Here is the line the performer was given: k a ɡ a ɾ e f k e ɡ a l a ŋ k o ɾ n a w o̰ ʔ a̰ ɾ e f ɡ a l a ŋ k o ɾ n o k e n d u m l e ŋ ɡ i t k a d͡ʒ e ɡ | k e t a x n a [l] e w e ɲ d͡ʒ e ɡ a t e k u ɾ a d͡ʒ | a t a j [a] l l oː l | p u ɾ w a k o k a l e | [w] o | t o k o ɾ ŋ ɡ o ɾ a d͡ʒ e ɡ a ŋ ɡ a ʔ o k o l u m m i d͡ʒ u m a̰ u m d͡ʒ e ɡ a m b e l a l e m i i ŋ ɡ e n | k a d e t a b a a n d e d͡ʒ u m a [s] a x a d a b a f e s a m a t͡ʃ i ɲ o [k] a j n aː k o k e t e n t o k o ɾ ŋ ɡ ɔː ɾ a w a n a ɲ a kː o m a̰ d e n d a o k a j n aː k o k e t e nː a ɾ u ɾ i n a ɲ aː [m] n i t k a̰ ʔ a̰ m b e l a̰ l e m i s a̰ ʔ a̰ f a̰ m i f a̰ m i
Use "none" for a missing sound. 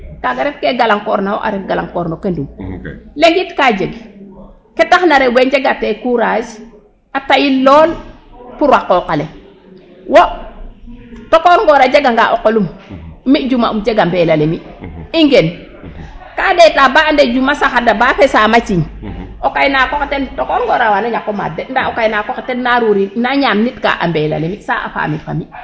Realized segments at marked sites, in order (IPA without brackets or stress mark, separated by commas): ɾ, i, w, s, k, m